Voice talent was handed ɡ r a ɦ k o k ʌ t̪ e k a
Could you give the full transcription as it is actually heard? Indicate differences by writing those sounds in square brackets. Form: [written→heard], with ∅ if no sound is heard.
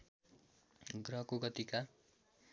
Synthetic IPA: ɡ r [a→ʌ] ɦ k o [k→ɡ] ʌ t̪ [e→i] k a